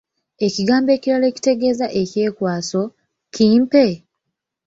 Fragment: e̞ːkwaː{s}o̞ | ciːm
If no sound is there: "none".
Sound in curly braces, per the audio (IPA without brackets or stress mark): s